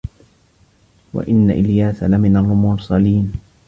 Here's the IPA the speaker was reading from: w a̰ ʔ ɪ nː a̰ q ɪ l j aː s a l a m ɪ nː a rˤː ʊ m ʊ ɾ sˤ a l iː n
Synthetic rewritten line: w a̰ ʔ ɪ nː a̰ ʔ ɪ l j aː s a l a m ɪ n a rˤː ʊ m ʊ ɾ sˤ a l iː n